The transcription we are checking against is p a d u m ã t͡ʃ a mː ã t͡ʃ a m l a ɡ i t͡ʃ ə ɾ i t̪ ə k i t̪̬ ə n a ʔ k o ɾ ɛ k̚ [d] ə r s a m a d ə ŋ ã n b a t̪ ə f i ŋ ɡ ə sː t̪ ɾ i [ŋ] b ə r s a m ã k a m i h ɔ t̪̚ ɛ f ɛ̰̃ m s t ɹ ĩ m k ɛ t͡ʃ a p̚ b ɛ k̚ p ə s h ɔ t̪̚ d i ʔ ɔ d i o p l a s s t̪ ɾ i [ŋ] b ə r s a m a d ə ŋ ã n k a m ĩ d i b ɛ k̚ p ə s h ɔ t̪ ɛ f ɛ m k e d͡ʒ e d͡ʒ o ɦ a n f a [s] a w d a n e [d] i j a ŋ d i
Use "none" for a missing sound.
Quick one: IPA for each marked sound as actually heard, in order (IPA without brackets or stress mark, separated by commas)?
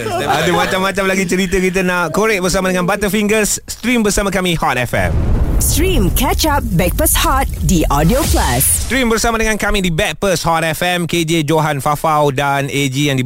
b, m, m, f, d͡ʒ